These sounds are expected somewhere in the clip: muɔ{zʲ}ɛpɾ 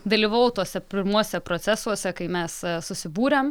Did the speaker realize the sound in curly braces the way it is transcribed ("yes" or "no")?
no